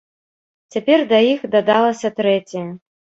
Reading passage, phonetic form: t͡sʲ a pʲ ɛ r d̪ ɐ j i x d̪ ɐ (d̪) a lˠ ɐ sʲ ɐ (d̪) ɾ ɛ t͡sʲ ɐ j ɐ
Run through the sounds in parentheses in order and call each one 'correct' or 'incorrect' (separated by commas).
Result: correct, incorrect